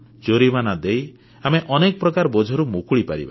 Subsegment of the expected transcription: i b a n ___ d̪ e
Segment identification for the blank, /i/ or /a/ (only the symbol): a